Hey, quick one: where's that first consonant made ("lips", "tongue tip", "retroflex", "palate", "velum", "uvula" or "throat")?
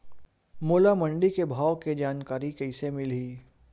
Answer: lips